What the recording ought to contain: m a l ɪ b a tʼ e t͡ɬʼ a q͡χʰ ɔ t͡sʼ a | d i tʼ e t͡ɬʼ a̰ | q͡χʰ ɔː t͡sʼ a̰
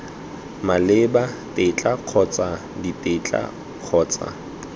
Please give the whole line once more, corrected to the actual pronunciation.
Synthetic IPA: m a l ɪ b a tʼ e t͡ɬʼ a q͡χʰ ɔ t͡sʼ a | d i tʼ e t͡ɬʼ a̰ | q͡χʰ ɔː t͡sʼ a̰